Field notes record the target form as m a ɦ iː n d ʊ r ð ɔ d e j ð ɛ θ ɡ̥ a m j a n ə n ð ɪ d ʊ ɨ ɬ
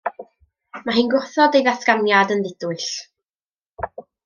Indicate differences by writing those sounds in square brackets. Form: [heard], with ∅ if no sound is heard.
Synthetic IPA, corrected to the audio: m a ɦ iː n [ɡ] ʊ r [θ] ɔ d e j ð [a] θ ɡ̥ a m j a [d] ə n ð ɪ d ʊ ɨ ɬ